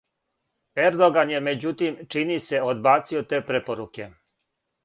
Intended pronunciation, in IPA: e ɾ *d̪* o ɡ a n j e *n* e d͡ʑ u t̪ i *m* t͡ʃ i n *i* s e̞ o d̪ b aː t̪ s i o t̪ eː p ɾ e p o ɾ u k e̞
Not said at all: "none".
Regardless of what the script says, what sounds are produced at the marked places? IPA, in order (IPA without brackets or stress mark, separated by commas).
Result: d̪, m, m, i